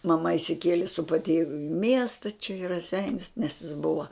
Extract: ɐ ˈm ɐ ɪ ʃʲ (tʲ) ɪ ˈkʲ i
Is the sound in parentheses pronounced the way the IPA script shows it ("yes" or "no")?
no